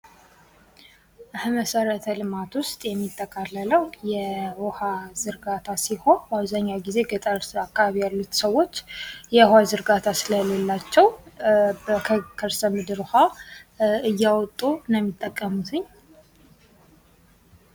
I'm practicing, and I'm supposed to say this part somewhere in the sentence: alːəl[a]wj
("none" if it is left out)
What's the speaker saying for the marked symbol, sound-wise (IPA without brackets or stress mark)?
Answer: ə